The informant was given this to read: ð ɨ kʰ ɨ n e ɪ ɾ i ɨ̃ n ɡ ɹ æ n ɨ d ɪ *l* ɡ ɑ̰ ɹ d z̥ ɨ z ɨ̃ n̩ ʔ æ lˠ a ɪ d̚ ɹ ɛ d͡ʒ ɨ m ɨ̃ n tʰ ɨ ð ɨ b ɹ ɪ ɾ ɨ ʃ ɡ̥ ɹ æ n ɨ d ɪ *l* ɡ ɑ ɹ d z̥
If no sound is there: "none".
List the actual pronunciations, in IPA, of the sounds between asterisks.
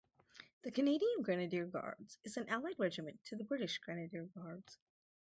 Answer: ɹ, ɹ

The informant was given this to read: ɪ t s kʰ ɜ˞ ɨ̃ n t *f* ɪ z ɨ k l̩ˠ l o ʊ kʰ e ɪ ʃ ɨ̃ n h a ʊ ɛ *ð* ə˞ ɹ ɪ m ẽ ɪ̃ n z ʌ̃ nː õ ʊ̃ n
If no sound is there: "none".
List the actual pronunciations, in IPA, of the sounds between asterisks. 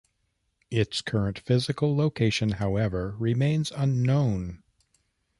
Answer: f, v

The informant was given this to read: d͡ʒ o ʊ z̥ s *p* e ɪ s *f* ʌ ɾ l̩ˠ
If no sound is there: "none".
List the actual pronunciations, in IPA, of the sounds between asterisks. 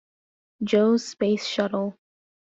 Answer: p, ʃ

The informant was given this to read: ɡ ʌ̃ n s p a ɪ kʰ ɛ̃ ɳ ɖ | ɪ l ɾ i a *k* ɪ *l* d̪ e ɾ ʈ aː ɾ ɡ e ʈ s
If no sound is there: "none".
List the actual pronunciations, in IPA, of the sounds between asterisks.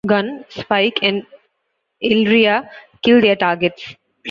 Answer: k, l

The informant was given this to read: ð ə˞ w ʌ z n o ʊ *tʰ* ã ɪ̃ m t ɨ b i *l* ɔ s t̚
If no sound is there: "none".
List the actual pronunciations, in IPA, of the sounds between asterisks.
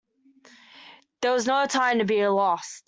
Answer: tʰ, l

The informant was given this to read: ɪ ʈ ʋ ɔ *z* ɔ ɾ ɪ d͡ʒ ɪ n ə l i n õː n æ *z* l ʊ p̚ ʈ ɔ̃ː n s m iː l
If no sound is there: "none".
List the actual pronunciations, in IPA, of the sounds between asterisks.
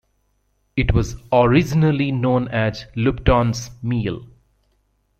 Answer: z, z

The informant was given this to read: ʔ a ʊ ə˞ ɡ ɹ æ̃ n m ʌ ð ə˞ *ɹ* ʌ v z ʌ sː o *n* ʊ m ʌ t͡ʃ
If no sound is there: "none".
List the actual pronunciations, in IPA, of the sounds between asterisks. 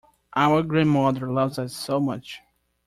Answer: l, none

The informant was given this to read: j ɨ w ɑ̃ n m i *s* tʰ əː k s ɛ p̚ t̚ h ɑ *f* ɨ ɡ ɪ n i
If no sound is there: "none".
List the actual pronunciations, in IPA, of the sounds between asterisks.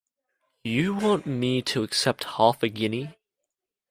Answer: none, f

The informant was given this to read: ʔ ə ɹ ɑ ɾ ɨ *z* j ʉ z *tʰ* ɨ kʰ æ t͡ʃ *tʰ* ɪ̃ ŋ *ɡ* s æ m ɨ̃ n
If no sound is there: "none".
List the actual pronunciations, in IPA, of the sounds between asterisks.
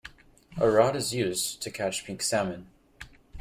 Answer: z, tʰ, pʰ, k

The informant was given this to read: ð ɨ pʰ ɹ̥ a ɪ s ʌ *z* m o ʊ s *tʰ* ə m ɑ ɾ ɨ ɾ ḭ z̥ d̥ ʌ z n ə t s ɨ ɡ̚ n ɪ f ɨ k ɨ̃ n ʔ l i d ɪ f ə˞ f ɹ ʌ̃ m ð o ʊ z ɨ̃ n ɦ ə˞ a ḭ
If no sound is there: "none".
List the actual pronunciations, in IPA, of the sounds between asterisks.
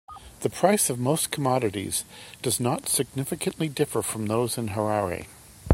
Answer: v, kʰ

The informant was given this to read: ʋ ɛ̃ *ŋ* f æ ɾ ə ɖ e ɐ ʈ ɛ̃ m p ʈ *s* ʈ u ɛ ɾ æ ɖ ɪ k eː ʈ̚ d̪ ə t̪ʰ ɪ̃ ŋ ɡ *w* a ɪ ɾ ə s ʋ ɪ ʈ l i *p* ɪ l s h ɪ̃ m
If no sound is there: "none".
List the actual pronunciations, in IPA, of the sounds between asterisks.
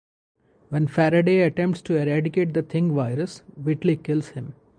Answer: n, s, ʋ, k

